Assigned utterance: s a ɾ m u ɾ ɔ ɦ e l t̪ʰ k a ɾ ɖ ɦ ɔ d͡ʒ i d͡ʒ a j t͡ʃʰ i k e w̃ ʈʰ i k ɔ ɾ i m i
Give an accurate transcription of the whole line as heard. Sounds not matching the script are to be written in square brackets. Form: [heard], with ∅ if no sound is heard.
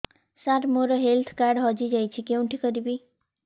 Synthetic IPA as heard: s a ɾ m [o] ɾ ɔ ɦ e l t̪ʰ k a ɾ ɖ ɦ ɔ d͡ʒ i d͡ʒ a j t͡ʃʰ i k e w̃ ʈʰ i k ɔ ɾ i [b] i

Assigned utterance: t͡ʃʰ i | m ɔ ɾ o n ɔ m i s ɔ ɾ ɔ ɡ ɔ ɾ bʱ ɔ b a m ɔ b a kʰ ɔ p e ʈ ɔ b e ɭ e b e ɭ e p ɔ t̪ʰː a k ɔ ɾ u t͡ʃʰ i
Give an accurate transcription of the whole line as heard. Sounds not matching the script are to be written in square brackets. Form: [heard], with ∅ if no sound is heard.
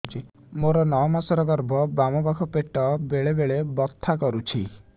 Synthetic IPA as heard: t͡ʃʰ i | m [o] ɾ [ɔ] n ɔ m [a] s ɔ ɾ ɔ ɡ ɔ ɾ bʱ ɔ b a m ɔ b a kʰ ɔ p e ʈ ɔ b e ɭ e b e ɭ e [b] ɔ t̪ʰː a k ɔ ɾ u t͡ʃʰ i

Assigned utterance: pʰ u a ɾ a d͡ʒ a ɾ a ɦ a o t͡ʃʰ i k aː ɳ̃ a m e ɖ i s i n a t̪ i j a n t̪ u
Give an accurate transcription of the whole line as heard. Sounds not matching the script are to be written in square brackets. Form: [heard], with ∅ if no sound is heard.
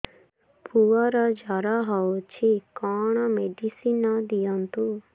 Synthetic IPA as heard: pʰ u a ɾ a d͡ʒ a ɾ a ɦ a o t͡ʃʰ i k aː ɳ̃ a m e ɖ i s i n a [d̪] i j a n t̪ u

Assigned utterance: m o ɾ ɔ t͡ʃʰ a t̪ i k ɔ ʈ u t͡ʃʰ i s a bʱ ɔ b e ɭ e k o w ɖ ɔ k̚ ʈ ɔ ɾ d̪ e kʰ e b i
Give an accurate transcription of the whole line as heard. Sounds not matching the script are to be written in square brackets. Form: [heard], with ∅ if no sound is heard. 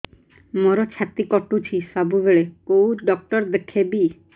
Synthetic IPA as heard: m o ɾ ɔ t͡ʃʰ a t̪ i k ɔ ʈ u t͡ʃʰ i s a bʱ [u] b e ɭ e k o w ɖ ɔ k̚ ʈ ɔ ɾ d̪ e kʰ e b i

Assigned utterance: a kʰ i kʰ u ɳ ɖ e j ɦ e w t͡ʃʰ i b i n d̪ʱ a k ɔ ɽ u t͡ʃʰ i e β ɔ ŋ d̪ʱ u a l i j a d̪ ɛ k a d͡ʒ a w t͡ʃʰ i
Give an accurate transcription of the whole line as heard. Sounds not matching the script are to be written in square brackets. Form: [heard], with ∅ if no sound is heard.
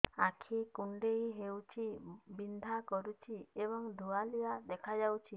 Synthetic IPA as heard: a kʰ i [k] u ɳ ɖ e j ɦ e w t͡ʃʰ i b i n d̪ʱ a k ɔ [ɾ] u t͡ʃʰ i e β ɔ ŋ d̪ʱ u a l i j a d̪ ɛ [kʰ] a d͡ʒ a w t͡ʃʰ i

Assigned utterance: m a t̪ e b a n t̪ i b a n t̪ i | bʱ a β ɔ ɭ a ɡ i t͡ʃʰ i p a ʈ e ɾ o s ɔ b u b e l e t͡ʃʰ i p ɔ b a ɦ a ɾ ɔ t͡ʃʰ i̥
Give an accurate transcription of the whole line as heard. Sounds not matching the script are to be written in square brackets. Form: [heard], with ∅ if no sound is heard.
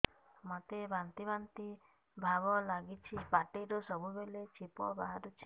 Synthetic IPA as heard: m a t̪ e b a n t̪ i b a n t̪ i | bʱ a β ɔ [l] a ɡ i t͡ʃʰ i p a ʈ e ɾ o s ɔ b u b e l e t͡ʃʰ i p ɔ b a ɦ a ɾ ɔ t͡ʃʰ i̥

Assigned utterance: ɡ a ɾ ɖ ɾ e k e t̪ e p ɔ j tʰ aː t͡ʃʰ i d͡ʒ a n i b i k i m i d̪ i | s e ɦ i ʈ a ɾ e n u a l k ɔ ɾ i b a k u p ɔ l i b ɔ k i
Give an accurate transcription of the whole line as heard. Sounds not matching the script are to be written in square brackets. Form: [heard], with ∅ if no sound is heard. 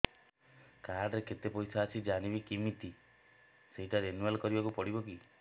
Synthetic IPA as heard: [k] a ɾ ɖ ɾ e k e t̪ e p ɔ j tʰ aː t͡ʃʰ i d͡ʒ a n i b i k i m i [t̪] i | s e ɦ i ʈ a ɾ e n u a l k ɔ ɾ i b a k u p ɔ [ɽ] i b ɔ k i

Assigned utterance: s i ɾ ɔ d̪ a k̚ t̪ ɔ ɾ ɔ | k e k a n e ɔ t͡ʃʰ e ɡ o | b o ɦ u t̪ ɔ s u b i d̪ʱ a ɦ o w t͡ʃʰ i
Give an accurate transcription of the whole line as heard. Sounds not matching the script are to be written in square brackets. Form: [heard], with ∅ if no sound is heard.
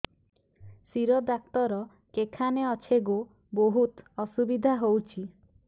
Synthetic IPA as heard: s i ɾ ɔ d̪ a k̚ t̪ ɔ ɾ ɔ | k e [kʰ] a n e ɔ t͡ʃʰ e ɡ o | b o ɦ u t̪ ɔ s u b i d̪ʱ a ɦ o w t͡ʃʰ i

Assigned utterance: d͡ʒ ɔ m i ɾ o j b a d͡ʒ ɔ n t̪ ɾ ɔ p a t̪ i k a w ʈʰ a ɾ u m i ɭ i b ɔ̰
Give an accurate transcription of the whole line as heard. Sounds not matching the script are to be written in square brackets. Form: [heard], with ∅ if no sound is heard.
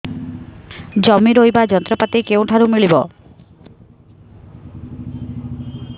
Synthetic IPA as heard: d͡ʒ ɔ m i ɾ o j b a d͡ʒ ɔ n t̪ ɾ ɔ p a t̪ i k [e] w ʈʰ a ɾ u m i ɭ i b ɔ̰

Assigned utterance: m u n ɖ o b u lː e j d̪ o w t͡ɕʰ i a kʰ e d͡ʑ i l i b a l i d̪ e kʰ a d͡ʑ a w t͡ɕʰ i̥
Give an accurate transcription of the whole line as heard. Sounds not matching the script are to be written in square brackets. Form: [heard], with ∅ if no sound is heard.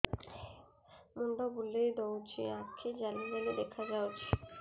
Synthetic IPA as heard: m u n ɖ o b u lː e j d̪ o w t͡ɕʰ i a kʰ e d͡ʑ [a] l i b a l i d̪ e kʰ a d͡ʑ a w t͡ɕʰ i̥

